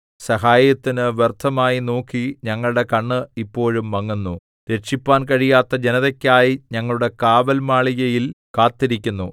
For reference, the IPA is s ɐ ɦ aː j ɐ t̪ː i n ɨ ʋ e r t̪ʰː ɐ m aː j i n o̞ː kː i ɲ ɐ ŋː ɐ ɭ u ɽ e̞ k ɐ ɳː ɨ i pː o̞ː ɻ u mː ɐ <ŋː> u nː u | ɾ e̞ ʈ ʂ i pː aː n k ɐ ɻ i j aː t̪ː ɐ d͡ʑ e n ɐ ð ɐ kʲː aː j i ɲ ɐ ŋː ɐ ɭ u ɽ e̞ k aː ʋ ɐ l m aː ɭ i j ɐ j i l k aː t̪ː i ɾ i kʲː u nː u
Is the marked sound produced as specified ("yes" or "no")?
yes